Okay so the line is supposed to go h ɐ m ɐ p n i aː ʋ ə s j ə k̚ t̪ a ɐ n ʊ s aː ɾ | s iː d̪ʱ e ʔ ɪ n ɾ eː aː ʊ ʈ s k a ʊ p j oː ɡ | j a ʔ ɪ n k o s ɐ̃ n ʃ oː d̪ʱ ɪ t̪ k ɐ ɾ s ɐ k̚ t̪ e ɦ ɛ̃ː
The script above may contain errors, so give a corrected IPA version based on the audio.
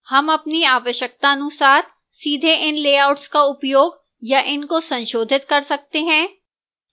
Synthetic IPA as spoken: h ɐ m ɐ p n i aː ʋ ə ʃ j ə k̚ t̪ a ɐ n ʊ s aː ɾ | s iː d̪ʱ e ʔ ɪ n l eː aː ʊ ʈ s k a ʊ p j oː ɡ | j a ʔ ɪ n k o s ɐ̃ n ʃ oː d̪ʱ ɪ t̪ k ɐ ɾ s ɐ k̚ t̪ e ɦ ɛ̃ː